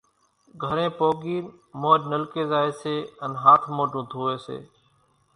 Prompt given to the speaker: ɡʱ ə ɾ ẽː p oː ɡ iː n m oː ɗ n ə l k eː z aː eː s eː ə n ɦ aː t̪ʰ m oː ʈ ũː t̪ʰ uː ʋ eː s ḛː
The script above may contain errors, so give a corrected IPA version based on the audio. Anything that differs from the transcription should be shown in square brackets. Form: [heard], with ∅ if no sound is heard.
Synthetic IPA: ɡʱ ə ɾ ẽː p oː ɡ iː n m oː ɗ n ə l k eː z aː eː s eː ə n ɦ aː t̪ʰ m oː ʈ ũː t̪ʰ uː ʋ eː s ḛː